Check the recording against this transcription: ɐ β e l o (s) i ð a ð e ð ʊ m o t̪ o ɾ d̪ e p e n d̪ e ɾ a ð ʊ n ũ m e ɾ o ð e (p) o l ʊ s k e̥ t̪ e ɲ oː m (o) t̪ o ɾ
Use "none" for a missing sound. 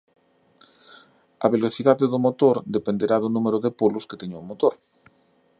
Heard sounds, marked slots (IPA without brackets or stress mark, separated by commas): θ, p, o